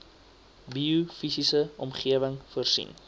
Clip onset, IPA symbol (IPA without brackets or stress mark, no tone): b